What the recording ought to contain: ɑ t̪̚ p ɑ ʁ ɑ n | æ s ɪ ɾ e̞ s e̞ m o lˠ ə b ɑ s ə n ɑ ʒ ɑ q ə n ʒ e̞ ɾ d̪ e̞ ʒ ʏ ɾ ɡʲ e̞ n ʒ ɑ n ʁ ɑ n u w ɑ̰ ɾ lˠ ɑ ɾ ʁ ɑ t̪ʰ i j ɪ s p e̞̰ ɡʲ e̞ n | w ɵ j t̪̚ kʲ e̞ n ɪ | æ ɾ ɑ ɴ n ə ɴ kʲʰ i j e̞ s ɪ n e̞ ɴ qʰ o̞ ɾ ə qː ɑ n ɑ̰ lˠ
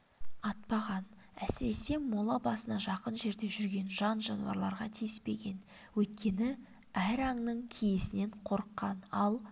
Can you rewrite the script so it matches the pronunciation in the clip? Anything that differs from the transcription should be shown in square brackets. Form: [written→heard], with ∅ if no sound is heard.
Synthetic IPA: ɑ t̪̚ p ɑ ʁ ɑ n | æ s ɪ ɾ e̞ s e̞ m o lˠ [ə→ɑ] b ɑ s ə n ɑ ʒ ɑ q ə n ʒ e̞ ɾ d̪ e̞ ʒ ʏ ɾ ɡʲ e̞ n ʒ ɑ n [ʁ→ʒ] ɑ n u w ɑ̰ ɾ lˠ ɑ ɾ ʁ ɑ t̪ʰ i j ɪ s p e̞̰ ɡʲ e̞ n | w ɵ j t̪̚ kʲ e̞ n ɪ | æ ɾ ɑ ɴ n ə ɴ kʲʰ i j e̞ s ɪ n e̞ ɴ qʰ o̞ ɾ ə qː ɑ n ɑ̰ lˠ